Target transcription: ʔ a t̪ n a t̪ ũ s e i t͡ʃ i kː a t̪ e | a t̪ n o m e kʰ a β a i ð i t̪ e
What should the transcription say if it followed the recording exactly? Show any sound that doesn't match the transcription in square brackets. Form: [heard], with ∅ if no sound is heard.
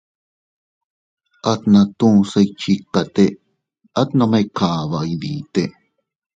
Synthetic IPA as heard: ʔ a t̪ n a t̪ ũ s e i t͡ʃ i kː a t̪ e | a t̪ n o m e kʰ a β a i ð i t̪ e